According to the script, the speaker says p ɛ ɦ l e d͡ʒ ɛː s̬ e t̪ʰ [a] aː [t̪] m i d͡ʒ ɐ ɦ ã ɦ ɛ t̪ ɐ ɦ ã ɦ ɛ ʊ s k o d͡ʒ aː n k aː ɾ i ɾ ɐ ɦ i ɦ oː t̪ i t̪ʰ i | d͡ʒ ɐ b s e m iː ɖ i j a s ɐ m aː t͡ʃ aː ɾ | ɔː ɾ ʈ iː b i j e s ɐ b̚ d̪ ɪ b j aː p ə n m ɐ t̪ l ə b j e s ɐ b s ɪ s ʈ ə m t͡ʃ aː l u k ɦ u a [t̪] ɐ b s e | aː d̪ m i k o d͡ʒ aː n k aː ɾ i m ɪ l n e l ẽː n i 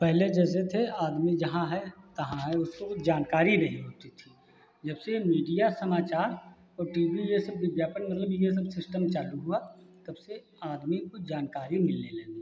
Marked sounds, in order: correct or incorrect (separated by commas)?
incorrect, incorrect, correct